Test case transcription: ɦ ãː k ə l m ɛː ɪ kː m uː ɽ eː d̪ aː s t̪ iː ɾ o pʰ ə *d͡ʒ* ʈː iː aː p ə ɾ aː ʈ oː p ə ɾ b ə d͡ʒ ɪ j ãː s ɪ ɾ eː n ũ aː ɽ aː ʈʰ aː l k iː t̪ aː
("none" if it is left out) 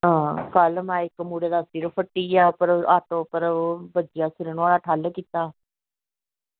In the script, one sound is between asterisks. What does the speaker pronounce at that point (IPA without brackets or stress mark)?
none